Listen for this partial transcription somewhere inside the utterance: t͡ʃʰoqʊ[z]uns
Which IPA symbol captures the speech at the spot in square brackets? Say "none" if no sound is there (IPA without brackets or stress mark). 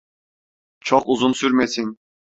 z